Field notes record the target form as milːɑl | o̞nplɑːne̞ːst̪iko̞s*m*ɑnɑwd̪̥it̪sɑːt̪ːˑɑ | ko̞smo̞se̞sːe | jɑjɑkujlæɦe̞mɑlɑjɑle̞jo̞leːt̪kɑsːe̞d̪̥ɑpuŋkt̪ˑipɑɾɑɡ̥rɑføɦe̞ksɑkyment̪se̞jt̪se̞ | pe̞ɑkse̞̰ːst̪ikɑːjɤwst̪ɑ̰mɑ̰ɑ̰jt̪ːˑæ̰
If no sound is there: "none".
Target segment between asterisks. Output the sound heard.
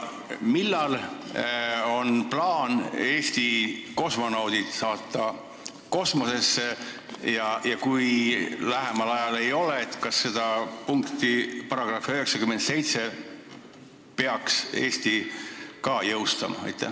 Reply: m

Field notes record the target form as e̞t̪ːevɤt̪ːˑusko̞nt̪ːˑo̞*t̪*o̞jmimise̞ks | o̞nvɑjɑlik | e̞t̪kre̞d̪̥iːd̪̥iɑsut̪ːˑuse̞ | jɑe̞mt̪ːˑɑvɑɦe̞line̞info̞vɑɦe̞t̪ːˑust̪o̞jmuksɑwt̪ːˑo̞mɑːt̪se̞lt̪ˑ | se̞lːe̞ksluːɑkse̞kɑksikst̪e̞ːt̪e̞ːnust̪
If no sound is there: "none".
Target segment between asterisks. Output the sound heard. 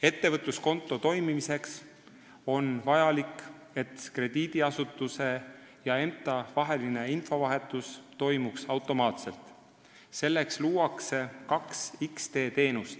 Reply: t̪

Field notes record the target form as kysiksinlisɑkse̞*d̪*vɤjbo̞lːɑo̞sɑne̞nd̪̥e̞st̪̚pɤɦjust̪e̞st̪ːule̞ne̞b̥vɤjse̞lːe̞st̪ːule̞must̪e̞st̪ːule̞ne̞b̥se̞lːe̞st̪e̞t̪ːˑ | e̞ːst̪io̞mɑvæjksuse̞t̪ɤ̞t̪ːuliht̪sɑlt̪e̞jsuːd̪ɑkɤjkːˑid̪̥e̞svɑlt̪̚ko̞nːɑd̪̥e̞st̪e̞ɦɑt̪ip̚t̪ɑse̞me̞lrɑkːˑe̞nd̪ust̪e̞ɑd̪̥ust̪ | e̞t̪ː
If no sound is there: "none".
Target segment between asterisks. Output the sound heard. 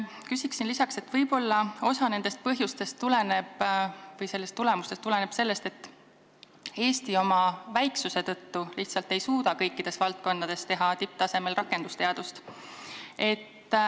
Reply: t̪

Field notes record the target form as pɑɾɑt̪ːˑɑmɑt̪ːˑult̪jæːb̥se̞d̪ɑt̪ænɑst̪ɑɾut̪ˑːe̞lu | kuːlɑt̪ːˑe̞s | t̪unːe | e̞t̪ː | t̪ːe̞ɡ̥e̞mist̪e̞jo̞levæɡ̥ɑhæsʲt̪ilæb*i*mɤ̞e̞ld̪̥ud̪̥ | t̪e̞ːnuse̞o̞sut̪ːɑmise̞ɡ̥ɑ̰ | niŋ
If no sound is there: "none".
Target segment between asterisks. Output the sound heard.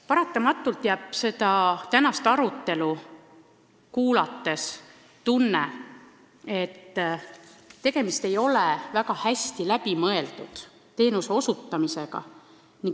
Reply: i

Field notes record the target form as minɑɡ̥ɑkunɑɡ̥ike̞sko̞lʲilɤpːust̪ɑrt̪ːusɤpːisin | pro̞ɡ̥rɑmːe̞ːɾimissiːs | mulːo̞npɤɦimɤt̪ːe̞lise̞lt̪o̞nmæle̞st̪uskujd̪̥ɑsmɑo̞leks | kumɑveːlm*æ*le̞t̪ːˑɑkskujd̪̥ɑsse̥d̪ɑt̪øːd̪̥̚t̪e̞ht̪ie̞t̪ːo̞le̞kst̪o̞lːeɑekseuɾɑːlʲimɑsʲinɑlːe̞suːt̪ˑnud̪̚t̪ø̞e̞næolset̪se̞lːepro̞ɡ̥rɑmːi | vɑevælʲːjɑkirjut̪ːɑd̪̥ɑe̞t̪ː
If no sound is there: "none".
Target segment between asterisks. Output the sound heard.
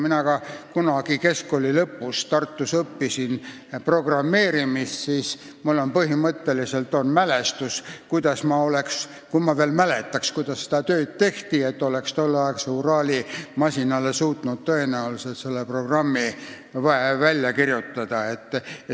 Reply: æ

